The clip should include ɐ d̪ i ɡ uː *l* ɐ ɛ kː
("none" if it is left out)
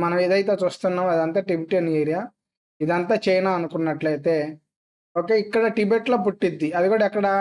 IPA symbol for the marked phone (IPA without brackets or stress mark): ɽ